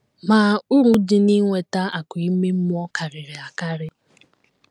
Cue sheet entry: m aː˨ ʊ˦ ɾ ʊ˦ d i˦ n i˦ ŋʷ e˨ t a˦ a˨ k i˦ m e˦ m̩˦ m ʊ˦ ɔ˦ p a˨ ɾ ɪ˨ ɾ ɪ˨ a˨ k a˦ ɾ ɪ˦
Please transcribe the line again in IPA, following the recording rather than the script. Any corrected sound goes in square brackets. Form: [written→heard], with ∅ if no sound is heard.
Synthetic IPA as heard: m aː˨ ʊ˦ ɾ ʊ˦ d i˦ n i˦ ŋʷ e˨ t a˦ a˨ k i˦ m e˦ m̩˦ m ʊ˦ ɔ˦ [p→k] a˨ ɾ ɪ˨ ɾ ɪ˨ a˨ k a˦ ɾ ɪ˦